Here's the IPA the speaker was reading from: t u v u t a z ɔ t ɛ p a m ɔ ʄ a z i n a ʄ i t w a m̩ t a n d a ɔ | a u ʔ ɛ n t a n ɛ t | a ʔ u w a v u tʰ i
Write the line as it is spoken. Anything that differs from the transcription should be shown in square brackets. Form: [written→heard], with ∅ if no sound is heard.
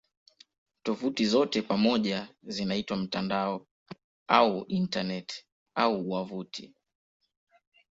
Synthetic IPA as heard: t [u→ɔ] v u t [a→i] z ɔ t ɛ p a m ɔ ʄ a z i n a [ʄ→∅] i t w a m̩ t a n d a ɔ | a u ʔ [ɛ→i] n t a n ɛ t | a [ʔ→∅] u w a v u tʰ i